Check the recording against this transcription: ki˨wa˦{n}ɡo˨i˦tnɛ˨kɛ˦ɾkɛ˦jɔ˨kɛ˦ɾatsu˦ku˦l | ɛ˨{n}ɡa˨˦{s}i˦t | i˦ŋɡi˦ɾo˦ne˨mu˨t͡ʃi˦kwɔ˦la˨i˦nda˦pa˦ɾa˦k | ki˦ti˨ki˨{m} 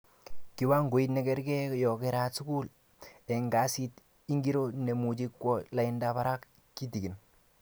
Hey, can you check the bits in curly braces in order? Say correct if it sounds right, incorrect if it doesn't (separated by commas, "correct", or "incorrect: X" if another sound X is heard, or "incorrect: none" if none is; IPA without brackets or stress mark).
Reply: incorrect: ŋ, incorrect: ŋ, correct, incorrect: n